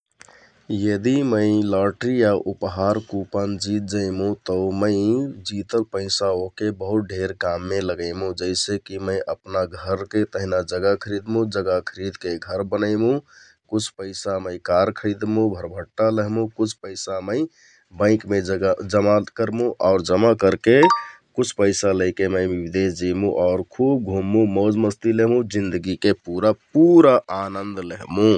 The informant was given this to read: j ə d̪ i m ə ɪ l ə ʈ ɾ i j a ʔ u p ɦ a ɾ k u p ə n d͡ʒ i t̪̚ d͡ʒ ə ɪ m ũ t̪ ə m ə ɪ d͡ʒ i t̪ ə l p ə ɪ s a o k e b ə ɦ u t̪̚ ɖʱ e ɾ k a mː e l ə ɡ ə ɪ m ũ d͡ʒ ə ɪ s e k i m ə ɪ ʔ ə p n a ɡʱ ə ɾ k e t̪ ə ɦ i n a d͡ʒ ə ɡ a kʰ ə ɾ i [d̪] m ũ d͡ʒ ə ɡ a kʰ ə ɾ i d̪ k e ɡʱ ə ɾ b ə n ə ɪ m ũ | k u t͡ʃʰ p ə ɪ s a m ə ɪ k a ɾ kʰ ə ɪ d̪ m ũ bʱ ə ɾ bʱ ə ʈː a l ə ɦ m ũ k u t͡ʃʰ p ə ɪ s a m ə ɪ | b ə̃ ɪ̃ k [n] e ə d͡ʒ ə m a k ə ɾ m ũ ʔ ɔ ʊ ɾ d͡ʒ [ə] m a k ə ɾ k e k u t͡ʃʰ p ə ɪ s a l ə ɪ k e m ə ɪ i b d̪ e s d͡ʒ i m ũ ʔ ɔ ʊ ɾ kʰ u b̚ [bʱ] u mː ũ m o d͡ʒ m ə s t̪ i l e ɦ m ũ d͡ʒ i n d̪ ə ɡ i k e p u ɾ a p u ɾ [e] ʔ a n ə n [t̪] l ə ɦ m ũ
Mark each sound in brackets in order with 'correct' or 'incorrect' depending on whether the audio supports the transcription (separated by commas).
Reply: correct, incorrect, correct, incorrect, incorrect, incorrect